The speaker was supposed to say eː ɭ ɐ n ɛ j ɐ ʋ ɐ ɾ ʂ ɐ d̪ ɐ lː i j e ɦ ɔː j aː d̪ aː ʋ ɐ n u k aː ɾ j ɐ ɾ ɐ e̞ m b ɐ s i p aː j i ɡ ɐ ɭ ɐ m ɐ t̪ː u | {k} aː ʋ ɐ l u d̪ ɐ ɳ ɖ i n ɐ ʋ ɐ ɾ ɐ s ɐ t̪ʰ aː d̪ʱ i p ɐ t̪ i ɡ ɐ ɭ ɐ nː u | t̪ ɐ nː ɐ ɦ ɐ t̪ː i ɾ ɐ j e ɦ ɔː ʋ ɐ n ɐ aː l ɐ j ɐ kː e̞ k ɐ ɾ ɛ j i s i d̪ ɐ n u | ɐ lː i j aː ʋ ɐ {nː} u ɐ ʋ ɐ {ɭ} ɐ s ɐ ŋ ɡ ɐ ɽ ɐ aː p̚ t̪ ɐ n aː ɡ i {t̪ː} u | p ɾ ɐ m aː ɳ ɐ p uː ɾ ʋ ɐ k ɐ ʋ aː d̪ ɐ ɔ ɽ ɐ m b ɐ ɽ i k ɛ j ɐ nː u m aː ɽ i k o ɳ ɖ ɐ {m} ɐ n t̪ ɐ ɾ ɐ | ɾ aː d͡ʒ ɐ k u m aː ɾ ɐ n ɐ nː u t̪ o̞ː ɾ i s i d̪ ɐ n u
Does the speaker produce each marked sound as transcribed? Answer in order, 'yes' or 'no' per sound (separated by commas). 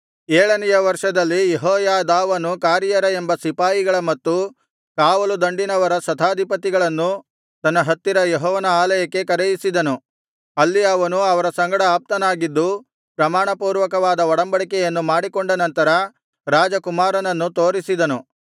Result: yes, no, no, no, no